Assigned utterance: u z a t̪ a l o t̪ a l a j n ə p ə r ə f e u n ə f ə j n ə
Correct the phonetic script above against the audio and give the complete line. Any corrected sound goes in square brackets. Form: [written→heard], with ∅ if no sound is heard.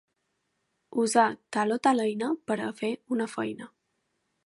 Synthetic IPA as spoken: u z a t̪ a l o t̪ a l [a→ə] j n ə p ə [r→ɾ] ə f e u n ə f ə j n ə